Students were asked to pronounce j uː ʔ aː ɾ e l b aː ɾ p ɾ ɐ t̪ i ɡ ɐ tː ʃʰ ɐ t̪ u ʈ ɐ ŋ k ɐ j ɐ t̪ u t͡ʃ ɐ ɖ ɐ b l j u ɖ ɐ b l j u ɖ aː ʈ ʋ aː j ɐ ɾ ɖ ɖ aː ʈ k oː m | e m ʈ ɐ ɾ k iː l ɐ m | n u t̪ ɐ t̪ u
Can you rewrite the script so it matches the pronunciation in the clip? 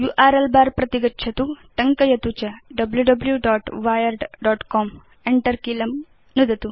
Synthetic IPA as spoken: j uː ʔ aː ɾ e l b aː ɾ p ɾ ɐ t̪ i ɡ ɐ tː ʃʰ ɐ t̪ u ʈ ɐ ŋ k ɐ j ɐ t̪ u t͡ʃ ɐ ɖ ɐ b l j u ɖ ɐ b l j u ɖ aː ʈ ʋ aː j ɐ ɾ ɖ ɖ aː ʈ k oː m | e ɳ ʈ ɐ ɾ k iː l ɐ m | n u d̪ ɐ t̪ u